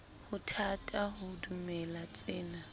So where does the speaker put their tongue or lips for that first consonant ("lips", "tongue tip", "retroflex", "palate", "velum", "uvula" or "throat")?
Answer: throat